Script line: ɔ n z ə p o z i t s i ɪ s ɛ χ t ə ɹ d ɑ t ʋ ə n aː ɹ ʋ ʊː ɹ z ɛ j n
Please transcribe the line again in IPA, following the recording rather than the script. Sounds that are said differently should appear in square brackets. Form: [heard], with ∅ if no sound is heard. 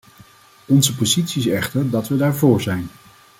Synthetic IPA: ɔ n z ə p o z i t s i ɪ s ɛ χ t ə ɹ d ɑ t ʋ ə [d] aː ɹ [v] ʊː ɹ z ɛ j n

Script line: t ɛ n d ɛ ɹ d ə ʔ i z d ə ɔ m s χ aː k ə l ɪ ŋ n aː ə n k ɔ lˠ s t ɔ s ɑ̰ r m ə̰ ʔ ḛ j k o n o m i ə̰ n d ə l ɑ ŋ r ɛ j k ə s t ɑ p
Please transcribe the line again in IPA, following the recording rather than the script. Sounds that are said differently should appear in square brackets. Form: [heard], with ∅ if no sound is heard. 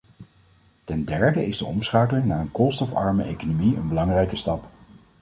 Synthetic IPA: t ɛ n d ɛ ɹ d ə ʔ [ɪ] z d ə ɔ m s χ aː k ə l ɪ ŋ n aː ə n k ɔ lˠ s t ɔ [f] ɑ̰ [ɹ] m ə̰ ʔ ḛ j k o n o m i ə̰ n [b] ə l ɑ ŋ r ɛ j k ə s t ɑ p

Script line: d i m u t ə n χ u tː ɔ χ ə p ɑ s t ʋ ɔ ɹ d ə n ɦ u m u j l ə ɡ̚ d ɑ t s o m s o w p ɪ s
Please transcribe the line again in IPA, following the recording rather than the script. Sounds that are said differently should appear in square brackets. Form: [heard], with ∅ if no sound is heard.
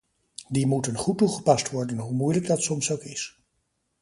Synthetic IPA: d i m u t ə n χ u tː [u] χ ə p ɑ s t ʋ ɔ ɹ d ə n ɦ u m u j l ə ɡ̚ d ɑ t s [ɔ] m s o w [k] ɪ s

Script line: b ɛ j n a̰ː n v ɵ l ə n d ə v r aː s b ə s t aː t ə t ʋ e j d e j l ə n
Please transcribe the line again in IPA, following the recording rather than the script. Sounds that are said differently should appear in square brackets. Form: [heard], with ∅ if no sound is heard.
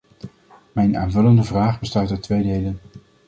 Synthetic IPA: [m] ɛ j n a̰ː n v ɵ l ə n d ə v r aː [χ] b ə s t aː t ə t ʋ e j d e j l ə n

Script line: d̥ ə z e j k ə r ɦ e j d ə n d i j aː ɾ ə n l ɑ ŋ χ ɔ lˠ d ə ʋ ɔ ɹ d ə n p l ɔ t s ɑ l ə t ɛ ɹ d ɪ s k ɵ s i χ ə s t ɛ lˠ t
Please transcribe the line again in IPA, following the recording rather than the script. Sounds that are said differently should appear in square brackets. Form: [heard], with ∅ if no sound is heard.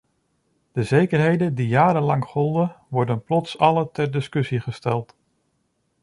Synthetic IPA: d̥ ə z e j k ə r ɦ e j d ə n d i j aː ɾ ə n l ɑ ŋ χ ɔ lˠ d ə ʋ ɔ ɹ d ə n p l ɔ t s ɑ l ə t ɛ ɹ d ɪ s k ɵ s i χ ə s t ɛ lˠ t

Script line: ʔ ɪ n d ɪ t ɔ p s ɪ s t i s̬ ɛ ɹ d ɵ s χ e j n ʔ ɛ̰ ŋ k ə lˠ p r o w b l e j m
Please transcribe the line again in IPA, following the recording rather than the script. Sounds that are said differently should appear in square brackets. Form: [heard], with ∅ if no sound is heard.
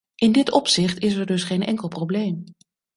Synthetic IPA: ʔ ɪ n d ɪ t ɔ p s ɪ [χ] t [ɪ] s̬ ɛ ɹ d ɵ s χ e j n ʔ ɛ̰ ŋ k ə lˠ p r o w b l e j m

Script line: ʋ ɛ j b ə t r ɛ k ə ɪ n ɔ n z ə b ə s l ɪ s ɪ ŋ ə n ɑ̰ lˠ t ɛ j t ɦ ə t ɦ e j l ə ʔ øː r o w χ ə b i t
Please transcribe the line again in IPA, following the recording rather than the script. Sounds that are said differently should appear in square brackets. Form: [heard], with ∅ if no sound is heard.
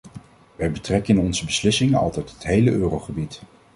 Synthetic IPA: ʋ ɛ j b ə t r ɛ k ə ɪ n ɔ n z ə b ə s l ɪ s ɪ ŋ ə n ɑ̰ lˠ t ɛ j t ɦ ə t ɦ e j l ə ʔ øː r o w χ ə b i t

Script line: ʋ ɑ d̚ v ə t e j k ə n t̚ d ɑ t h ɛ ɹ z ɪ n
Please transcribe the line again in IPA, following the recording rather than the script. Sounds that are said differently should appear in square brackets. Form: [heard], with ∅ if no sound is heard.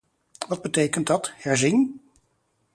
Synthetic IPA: ʋ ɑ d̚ [b] ə t e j k ə n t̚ d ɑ t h ɛ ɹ z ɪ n

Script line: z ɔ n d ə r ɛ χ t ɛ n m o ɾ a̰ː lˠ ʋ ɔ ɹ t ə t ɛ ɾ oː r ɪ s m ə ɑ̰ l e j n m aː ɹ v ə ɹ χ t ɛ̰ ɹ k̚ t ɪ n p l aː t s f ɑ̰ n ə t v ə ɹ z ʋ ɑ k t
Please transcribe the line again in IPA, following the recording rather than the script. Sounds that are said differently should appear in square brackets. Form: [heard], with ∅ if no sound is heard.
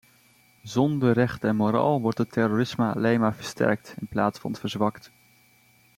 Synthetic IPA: z ɔ n d ə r ɛ χ t ɛ n m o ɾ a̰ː lˠ ʋ ɔ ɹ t ə t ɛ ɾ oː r ɪ s m ə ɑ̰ l e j n m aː ɹ v ə ɹ [s] t ɛ̰ ɹ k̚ t ɪ n p l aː t s f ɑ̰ n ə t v ə ɹ z ʋ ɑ k t

